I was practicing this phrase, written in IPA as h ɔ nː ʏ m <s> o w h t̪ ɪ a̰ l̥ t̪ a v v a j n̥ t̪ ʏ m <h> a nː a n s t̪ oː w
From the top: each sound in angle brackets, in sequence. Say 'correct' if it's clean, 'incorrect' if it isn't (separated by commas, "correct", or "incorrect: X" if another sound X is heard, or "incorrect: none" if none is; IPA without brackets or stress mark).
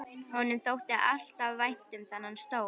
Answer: incorrect: θ, incorrect: θ